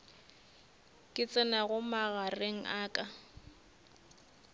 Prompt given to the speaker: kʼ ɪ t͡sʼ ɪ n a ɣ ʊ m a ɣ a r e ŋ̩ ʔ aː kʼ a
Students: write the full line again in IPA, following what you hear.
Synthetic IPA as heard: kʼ ɪ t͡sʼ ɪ n a ɣ ʊ m a ɣ a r e ŋ̩ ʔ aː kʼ a

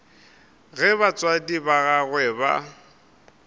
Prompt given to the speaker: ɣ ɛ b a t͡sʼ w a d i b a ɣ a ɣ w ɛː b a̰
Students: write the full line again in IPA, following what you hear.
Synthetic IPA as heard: ɣ ɛ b a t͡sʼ w a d i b a ɣ a ɣ w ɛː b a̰

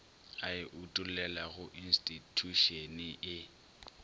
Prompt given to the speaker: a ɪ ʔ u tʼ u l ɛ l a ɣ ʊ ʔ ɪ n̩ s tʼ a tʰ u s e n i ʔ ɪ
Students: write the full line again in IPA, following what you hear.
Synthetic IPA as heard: a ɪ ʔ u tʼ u l ɛ l a ɣ ʊ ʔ i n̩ s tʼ i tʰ u ʃ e n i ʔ ɪ

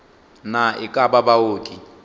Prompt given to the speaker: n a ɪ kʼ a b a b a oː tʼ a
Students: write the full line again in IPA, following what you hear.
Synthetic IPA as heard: n a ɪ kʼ a b a b a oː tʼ i

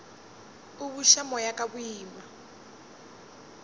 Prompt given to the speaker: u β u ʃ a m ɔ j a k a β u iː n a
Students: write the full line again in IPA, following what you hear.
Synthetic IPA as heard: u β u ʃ a m ɔ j a k a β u iː m a

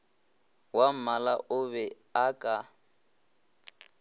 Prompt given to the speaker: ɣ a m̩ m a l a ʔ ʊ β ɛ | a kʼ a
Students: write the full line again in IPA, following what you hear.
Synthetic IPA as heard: w a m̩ m a l a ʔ ʊ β ɛ | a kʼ a

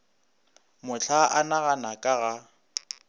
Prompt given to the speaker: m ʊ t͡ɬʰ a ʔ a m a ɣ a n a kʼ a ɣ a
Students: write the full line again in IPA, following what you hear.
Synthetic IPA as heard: m ʊ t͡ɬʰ a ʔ a n a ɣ a n a kʼ a ɣ a

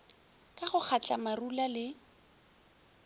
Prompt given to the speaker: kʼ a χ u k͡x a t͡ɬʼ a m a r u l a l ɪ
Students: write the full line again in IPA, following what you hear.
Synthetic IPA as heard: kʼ a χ ʊ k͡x a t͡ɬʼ a m a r u l a l ɪ

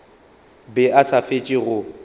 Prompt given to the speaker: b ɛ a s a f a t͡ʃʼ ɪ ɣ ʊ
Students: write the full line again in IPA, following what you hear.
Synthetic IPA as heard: b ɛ a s a f e t͡ʃʼ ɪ ɣ ʊ

